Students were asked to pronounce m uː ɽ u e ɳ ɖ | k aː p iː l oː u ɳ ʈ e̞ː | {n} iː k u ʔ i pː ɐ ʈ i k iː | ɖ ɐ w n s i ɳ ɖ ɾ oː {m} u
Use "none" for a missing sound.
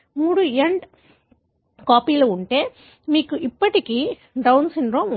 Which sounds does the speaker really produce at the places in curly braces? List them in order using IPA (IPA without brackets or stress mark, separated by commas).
m, m